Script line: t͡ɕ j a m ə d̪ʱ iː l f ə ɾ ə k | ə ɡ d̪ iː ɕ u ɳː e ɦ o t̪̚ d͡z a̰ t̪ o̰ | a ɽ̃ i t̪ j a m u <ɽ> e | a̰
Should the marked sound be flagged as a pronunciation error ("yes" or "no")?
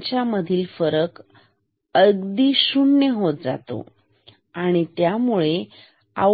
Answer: yes